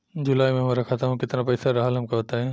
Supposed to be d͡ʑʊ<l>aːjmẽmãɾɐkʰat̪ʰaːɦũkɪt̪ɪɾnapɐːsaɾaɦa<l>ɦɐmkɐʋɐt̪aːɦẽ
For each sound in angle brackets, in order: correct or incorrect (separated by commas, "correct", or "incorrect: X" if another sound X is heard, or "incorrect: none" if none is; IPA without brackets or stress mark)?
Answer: correct, correct